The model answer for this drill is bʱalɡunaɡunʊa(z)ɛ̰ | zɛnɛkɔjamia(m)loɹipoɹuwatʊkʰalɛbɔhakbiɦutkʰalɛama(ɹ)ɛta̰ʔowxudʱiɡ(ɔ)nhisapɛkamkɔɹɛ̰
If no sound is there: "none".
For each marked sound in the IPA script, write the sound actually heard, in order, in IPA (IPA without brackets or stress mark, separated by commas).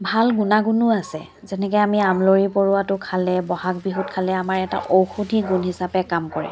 s, m, ɹ, u